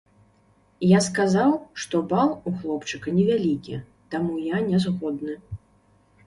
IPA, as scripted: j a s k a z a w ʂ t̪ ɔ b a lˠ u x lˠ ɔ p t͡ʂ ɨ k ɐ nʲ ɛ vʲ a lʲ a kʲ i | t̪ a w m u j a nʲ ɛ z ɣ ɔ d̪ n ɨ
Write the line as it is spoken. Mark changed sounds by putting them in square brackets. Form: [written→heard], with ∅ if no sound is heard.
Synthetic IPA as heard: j a s k a z a w ʂ t̪ ɔ b a lˠ u x lˠ ɔ p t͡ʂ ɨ k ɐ nʲ ɛ vʲ a lʲ [a→i] kʲ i | t̪ a [w→∅] m u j a nʲ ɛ z ɣ ɔ d̪ n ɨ